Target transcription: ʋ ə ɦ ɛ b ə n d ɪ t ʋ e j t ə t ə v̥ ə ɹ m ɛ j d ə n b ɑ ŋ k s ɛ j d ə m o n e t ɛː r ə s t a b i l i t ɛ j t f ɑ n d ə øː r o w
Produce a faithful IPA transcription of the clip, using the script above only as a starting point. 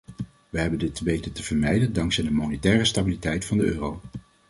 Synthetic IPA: ʋ ə ɦ ɛ b ə n d ɪ t ʋ e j t ə t ə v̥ ə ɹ m ɛ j d ə n d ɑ ŋ k s ɛ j d ə m o n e t ɛː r ə s t a b i l i t ɛ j t f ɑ n d ə øː r o w